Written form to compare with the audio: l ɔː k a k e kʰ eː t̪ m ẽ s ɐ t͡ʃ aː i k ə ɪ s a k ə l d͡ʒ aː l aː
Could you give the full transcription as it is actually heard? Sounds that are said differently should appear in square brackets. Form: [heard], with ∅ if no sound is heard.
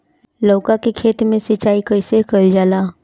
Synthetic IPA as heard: l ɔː k a k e kʰ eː t̪ m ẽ s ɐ t͡ʃ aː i k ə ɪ s [e] k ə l d͡ʒ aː l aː